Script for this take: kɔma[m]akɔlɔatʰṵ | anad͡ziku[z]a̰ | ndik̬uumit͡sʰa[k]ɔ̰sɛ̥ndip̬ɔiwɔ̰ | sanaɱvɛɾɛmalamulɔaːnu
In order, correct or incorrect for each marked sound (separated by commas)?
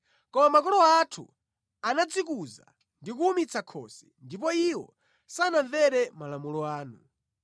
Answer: correct, correct, incorrect